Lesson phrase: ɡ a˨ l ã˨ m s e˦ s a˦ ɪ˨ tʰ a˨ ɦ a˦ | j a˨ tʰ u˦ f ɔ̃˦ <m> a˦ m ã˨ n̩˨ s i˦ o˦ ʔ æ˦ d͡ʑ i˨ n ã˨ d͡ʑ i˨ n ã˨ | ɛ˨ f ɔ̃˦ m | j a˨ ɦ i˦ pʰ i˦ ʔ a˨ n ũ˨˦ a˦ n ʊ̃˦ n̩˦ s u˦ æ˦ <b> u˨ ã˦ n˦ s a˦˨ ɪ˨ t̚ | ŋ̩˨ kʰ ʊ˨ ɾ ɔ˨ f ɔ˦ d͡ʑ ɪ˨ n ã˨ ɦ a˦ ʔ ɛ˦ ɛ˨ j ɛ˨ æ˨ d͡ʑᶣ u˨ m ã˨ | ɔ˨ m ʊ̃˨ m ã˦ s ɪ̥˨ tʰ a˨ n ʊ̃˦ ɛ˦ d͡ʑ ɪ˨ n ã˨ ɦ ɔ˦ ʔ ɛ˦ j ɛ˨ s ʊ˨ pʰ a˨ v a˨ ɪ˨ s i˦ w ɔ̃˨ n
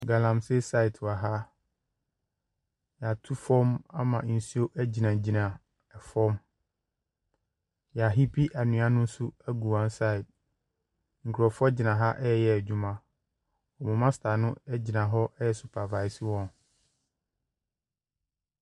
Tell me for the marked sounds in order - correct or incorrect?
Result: correct, incorrect: ɡ

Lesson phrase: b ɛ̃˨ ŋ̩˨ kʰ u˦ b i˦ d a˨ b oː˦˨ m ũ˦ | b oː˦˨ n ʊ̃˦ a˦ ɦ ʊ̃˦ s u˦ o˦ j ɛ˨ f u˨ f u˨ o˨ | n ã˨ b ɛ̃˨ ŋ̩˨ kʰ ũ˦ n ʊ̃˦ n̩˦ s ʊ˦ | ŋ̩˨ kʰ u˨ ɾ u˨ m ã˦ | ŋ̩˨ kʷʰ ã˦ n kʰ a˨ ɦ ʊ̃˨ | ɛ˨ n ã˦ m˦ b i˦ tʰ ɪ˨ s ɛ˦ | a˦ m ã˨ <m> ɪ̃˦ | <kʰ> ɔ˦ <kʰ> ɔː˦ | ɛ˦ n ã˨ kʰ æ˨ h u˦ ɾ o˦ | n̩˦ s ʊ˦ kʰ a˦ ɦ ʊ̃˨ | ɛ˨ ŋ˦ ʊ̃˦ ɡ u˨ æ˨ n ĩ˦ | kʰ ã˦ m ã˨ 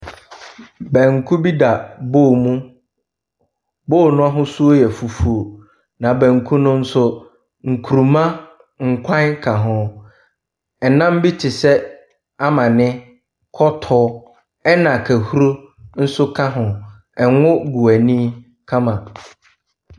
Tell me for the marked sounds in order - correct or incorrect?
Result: incorrect: n, correct, incorrect: tʰ

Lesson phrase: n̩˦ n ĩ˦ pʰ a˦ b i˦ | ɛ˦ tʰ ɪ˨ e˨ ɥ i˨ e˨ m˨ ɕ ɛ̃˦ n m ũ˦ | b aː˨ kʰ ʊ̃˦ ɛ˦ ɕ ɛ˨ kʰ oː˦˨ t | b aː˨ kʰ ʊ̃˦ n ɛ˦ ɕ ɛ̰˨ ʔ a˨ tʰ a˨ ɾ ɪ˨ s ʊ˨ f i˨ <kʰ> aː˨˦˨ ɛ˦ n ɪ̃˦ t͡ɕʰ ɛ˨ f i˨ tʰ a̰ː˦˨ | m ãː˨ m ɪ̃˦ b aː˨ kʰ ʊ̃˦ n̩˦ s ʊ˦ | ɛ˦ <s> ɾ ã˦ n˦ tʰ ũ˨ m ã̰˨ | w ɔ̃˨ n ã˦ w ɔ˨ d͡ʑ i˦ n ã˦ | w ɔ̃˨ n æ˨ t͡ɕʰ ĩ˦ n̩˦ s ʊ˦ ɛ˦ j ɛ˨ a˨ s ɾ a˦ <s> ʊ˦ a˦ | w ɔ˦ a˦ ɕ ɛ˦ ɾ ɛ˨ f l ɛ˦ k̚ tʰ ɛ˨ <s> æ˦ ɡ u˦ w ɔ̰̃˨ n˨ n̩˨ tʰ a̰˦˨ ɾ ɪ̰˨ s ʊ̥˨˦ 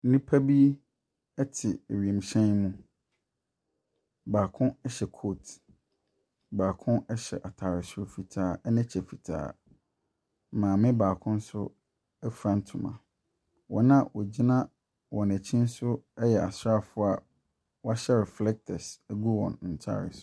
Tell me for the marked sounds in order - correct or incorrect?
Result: incorrect: tʰ, incorrect: f, incorrect: f, correct

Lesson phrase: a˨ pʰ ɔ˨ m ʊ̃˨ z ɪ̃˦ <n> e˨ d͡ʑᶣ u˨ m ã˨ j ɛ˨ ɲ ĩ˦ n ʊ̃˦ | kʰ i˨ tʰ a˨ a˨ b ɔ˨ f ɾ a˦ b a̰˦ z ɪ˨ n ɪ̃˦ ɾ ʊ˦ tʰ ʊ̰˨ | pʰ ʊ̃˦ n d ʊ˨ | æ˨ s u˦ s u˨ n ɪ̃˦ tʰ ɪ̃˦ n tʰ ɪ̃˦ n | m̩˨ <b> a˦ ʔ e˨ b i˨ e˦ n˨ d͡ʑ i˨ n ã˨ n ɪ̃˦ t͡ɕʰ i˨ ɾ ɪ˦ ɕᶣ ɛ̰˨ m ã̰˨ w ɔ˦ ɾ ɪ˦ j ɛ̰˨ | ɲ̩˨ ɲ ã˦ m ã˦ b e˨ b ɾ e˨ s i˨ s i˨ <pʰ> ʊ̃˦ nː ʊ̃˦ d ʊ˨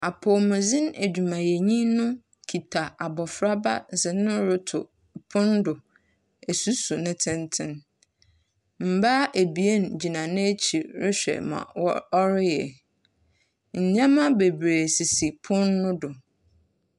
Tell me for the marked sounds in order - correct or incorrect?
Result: correct, correct, correct

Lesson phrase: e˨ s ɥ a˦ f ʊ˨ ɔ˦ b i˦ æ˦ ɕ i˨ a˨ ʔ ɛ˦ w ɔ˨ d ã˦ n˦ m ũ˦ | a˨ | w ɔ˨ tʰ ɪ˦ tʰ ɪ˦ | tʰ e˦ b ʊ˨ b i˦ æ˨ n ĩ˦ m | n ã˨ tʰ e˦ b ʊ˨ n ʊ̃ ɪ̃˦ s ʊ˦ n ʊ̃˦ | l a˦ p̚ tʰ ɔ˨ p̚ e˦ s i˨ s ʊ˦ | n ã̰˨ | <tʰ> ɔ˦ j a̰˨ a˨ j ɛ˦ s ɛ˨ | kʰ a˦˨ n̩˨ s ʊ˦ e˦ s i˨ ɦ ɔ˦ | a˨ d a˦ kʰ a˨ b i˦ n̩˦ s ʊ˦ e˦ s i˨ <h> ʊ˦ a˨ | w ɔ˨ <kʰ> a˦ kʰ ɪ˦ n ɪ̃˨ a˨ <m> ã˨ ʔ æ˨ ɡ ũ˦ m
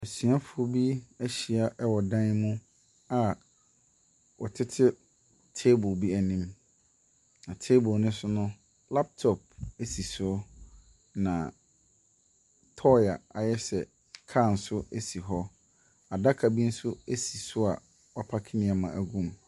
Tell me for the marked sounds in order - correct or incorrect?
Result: correct, incorrect: s, incorrect: pʰ, correct

